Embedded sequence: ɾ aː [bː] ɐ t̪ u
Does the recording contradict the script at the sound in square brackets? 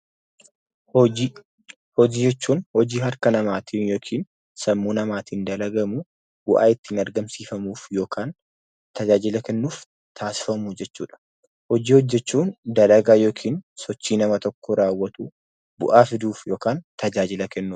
yes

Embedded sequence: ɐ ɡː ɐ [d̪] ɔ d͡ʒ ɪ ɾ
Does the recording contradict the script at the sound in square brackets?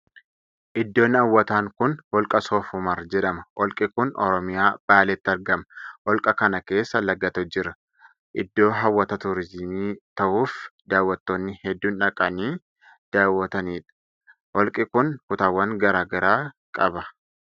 yes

